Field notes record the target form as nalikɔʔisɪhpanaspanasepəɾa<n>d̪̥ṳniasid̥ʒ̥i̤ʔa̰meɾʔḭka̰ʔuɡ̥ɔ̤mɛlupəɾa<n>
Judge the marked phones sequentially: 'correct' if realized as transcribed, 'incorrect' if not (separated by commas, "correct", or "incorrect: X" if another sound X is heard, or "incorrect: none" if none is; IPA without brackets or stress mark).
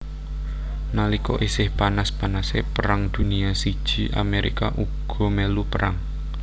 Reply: incorrect: ŋ, incorrect: ŋ